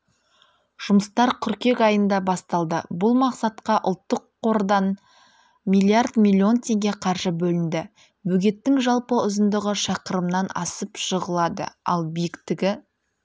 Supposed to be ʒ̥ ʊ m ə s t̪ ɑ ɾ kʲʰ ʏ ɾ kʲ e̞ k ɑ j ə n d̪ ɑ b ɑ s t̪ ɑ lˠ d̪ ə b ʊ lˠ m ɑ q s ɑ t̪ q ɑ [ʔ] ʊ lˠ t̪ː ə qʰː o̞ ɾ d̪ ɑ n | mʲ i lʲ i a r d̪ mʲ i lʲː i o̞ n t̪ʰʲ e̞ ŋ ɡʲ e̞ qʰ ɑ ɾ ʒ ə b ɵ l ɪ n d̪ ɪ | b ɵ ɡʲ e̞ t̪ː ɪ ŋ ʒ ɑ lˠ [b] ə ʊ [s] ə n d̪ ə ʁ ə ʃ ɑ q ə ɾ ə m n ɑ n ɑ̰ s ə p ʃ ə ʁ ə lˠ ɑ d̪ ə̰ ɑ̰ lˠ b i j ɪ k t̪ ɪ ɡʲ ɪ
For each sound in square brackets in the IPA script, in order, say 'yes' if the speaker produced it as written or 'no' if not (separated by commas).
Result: yes, no, no